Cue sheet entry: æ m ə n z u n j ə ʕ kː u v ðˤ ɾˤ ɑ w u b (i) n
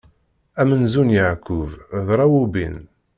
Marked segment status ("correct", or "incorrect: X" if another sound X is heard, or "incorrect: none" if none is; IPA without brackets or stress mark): correct